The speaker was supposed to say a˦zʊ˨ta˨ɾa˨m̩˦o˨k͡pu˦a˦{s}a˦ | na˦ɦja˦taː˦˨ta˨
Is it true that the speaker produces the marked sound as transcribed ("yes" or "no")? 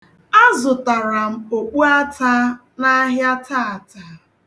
no